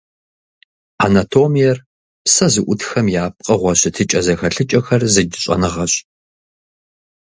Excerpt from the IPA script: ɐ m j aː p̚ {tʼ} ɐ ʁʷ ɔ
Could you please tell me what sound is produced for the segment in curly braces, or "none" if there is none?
qʼ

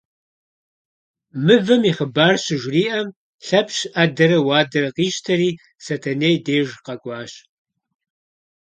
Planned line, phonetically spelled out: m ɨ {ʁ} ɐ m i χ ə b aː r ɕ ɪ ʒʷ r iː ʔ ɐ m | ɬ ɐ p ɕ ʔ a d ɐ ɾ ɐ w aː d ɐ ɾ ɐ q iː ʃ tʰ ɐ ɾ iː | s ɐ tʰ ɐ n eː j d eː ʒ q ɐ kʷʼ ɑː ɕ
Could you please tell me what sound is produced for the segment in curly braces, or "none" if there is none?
v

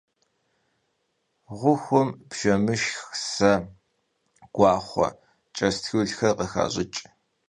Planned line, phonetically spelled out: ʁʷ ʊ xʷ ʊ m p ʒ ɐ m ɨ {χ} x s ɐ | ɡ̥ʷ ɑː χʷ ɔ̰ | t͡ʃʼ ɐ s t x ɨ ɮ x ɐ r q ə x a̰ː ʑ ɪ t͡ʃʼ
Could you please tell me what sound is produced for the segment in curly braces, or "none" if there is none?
ʃ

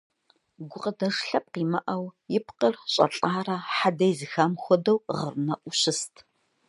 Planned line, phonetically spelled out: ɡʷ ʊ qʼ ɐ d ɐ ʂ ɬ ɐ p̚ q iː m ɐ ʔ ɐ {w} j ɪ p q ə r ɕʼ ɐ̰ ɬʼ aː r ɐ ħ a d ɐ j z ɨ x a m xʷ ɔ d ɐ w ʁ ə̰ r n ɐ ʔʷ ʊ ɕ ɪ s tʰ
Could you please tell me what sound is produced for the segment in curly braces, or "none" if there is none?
w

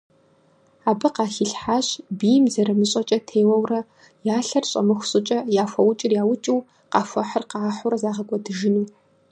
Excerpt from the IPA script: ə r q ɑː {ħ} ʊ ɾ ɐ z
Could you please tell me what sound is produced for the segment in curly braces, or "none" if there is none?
ħ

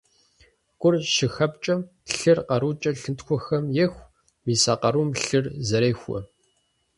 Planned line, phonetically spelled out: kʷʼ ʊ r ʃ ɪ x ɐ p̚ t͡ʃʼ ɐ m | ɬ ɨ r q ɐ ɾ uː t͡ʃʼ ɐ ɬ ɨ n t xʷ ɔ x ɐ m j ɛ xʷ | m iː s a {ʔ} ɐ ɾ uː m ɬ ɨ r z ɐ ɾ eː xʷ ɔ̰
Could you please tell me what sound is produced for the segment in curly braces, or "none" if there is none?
q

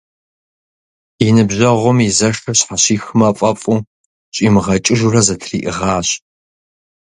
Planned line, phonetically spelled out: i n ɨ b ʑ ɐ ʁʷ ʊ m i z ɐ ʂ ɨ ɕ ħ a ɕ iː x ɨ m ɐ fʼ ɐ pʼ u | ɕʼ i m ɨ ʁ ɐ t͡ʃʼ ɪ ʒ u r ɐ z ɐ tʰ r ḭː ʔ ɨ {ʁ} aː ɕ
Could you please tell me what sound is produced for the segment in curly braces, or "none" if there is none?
ʁ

